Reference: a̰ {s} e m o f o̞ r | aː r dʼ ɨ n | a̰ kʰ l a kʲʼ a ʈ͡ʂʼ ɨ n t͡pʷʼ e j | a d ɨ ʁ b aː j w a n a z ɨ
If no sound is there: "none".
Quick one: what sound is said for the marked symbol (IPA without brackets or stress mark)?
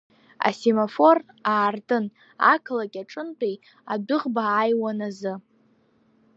s